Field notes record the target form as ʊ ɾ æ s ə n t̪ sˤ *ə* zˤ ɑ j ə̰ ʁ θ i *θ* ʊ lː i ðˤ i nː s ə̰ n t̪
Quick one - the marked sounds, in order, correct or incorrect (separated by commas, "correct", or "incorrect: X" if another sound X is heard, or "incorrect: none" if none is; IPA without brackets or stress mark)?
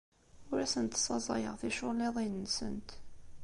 incorrect: ɑ, incorrect: ʃ